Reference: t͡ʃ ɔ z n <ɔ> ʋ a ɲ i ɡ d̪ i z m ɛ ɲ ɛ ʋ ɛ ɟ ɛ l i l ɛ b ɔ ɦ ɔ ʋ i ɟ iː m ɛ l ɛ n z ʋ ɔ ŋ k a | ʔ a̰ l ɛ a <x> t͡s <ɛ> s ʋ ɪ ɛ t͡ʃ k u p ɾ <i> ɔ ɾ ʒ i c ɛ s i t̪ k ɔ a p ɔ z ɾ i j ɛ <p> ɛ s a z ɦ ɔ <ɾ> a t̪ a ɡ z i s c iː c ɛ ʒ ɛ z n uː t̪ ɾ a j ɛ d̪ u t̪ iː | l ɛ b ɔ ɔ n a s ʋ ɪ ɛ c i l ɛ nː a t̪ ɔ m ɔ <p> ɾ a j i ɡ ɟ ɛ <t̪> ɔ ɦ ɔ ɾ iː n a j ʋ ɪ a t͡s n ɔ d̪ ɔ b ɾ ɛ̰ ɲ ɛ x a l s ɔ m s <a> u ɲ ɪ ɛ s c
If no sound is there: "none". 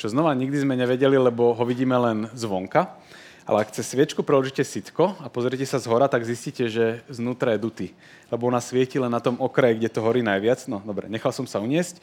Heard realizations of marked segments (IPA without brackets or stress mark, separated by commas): ɔ, k, ɛ, ɛ, c, ɾ, k, t̪, a